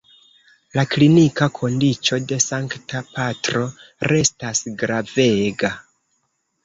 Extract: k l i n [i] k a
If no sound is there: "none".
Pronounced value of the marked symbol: i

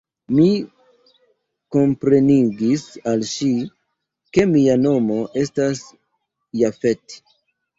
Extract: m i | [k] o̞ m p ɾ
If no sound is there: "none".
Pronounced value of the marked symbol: k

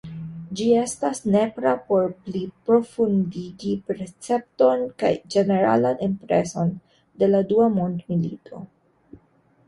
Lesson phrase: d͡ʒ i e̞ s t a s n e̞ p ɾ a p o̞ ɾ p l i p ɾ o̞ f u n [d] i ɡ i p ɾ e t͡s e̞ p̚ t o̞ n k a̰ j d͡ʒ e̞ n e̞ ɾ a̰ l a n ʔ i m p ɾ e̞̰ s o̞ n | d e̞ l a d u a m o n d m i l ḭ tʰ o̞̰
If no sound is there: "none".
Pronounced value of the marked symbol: d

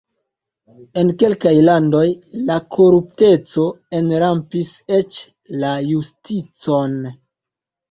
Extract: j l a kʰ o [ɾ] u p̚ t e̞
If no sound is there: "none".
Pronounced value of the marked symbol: ɾ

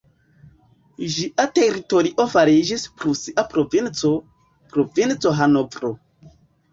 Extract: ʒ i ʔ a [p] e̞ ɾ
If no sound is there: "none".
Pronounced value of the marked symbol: t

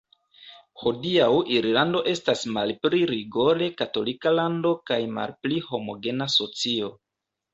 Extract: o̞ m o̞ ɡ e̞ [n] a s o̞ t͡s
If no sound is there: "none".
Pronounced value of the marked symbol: n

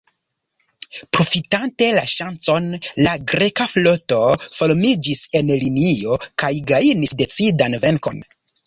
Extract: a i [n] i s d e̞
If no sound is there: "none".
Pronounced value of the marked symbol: n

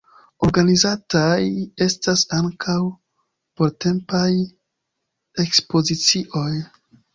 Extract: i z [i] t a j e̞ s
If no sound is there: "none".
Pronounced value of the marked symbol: a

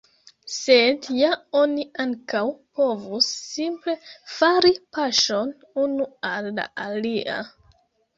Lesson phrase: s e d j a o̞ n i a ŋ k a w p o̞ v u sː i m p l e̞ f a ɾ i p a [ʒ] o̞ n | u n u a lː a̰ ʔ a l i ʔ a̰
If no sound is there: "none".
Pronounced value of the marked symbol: ʃ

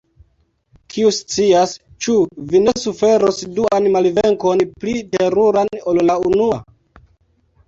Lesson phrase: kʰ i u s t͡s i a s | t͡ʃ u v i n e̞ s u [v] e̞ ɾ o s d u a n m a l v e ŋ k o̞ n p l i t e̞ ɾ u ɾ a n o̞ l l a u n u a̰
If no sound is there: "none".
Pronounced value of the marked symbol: f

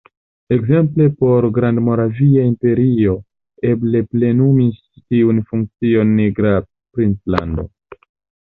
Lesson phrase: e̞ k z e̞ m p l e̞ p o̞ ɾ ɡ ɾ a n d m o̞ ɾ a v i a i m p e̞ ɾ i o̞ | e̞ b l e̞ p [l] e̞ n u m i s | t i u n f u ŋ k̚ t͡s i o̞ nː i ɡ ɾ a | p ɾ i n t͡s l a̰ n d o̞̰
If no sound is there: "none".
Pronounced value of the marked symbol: l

